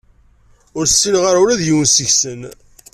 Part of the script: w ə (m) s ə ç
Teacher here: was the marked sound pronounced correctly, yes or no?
no